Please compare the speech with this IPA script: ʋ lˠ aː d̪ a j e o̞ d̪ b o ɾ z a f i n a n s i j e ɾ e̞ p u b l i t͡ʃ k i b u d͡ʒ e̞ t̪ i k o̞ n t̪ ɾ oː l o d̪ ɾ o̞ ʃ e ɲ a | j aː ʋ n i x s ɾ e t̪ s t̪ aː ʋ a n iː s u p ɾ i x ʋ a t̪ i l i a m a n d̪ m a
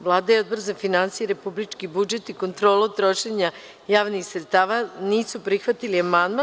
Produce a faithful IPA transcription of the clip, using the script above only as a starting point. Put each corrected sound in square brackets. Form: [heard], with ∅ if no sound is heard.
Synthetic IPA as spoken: ʋ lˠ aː d̪ a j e o̞ d̪ b o ɾ z a f i n a n s i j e ɾ e̞ p u b l i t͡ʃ k i b u d͡ʒ e̞ t̪ i k o̞ n t̪ ɾ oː l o [t̪] ɾ o̞ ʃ e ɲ a | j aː ʋ n i x s ɾ e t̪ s t̪ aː ʋ a n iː s u p ɾ i x ʋ a t̪ i l i a m a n d̪ m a